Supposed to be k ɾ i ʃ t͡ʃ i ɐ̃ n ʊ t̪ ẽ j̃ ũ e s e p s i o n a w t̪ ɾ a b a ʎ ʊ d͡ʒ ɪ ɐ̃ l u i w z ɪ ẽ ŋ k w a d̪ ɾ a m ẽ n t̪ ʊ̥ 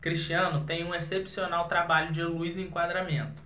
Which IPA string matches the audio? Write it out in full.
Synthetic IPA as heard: k ɾ i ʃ t͡ʃ i ɐ̃ n ʊ t̪ ẽ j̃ ũ e s e p s i o n a w t̪ ɾ a b a ʎ ʊ d͡ʒ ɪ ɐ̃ l u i z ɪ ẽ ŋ k w a d̪ ɾ a m ẽ n t̪ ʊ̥

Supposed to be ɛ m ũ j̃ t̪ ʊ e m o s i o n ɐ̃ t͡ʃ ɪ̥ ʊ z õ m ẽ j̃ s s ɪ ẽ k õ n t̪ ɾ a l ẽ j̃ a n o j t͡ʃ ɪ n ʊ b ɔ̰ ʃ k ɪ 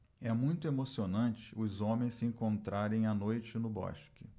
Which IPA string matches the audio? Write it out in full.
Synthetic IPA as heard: ɛ m ũ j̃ t̪ ʊ e m o s i o n ɐ̃ t͡ʃ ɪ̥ ʊ z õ m ẽ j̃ s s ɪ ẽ k õ n t̪ ɾ a ɾ ẽ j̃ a n o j t͡ʃ ɪ n ʊ b ɔ̰ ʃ k ɪ

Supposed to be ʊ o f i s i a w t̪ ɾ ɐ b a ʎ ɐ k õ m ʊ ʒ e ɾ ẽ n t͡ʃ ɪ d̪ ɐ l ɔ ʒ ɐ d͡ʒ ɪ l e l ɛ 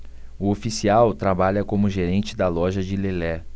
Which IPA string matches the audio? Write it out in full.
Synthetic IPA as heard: ʊ o f i s i a w t̪ ɾ a b a ʎ ɐ k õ m ʊ ʒ e ɾ ẽ n t͡ʃ ɪ d̪ ɐ l ɔ ʒ ɐ d͡ʒ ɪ l e l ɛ

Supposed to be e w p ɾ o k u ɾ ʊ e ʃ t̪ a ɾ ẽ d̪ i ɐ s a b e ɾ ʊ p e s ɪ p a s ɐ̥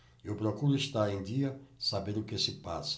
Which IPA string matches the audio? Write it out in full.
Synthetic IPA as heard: e w p ɾ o k u ɾ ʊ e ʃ t̪ a ɾ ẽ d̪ i ɐ s a b e ɾ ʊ k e s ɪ p a s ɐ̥

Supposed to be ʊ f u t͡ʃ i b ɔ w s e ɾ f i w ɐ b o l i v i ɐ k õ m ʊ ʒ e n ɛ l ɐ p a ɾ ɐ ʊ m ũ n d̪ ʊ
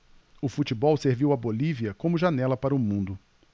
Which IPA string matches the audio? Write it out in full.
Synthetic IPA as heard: ʊ f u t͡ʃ i b ɔ w s e ɾ v i w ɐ b o l i v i ɐ k õ m ʊ ʒ a n ɛ l ɐ p a ɾ ɐ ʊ m ũ n d̪ ʊ

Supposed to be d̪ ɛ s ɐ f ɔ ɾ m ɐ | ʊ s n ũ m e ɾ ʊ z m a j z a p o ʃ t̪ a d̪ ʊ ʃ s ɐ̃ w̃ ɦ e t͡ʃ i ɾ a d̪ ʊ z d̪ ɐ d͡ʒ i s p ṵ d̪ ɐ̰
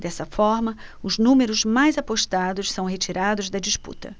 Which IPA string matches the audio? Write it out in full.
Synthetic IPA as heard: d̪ ɛ s ɐ f ɔ ɾ m ɐ | ʊ z n ũ m e ɾ ʊ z m a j z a p o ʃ t̪ a d̪ ʊ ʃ s ɐ̃ w̃ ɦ e t͡ʃ i ɾ a d̪ ʊ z d̪ ɐ d͡ʒ i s p ṵ t̪ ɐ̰

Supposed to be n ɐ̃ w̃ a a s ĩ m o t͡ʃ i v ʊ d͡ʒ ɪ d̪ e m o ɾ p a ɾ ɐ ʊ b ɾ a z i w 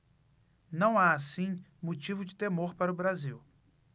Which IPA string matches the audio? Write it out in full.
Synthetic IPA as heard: n ɐ̃ w̃ a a s ĩ m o t͡ʃ i v ʊ d͡ʒ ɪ t̪ e m o ɾ p a ɾ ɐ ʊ b ɾ a z i w

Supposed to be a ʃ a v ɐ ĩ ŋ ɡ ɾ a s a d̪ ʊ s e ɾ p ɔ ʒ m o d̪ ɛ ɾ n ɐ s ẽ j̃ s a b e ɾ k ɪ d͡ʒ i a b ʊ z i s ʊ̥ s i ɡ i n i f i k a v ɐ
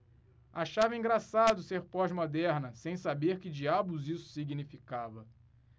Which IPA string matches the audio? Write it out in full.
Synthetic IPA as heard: a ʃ a v ɐ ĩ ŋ ɡ ɾ a s a d̪ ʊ s e ɾ p ɔ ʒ m o d̪ ɛ ɾ n ɐ s ẽ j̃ s a b e ɾ k ɪ d͡ʒ i a b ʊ z i s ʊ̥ s i ɡ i n i f i k a v ɐ

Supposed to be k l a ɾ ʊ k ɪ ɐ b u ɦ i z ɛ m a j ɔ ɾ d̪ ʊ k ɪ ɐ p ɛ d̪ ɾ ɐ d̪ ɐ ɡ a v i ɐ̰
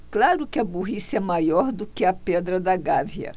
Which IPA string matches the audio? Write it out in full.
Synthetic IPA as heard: k l a ɾ ʊ k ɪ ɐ b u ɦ i s ɛ m a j ɔ ɾ d̪ ʊ k ɪ ɐ p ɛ d̪ ɾ ɐ d̪ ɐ ɡ a v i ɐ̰

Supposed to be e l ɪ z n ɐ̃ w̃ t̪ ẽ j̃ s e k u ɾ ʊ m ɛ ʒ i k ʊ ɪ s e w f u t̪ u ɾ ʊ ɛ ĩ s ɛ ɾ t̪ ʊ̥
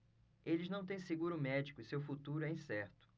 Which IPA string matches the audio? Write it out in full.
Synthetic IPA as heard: e l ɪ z n ɐ̃ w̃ t̪ ẽ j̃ s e ɡ u ɾ ʊ m ɛ d͡ʒ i k ʊ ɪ s e w f u t̪ u ɾ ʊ ɛ ĩ s ɛ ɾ t̪ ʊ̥

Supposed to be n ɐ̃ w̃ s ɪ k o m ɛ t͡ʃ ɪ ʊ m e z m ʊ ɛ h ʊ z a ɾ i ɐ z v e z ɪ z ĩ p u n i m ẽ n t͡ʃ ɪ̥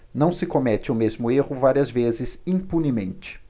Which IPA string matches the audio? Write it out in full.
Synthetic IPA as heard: n ɐ̃ w̃ s ɪ k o m ɛ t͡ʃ ɪ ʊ m e z m ʊ e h ʊ v a ɾ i ɐ z v e z ɪ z ĩ p u n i m ẽ n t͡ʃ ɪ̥

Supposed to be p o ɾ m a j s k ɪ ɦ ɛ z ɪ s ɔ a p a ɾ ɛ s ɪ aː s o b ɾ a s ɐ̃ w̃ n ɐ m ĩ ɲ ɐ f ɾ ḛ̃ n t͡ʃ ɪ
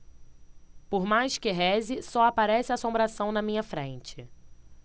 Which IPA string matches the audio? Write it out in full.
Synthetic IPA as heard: p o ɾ m a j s k ɪ ɦ ɛ z ɪ s ɔ a p a ɾ ɛ s ɪ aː s õ b ɾ a s ɐ̃ w̃ n ɐ m ĩ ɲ ɐ f ɾ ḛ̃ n t͡ʃ ɪ

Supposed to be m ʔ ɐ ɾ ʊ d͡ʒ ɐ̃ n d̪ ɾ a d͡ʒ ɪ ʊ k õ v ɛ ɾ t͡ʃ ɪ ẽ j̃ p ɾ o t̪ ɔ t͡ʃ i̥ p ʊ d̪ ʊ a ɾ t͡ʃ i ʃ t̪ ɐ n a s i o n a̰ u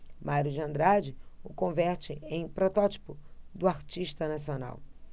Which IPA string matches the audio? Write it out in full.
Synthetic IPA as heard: m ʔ a ɾ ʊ d͡ʒ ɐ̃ n d̪ ɾ a d͡ʒ ɪ ʊ k õ v ɛ ɾ t͡ʃ ɪ ẽ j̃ p ɾ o t̪ ɔ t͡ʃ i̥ p ʊ d̪ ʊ a ɾ t͡ʃ i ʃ t̪ ɐ n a s i o n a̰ w

